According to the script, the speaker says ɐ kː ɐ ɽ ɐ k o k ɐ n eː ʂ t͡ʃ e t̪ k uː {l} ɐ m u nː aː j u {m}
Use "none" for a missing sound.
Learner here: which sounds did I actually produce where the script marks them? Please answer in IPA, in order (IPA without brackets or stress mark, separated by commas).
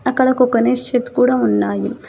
ɽ, m